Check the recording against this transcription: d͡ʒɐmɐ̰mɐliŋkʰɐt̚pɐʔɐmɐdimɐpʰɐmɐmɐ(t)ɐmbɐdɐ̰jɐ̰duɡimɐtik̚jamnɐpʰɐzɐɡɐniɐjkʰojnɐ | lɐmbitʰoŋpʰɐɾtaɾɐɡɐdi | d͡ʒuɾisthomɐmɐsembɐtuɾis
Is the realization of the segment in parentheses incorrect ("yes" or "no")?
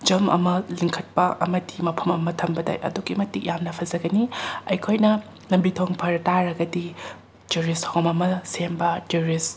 yes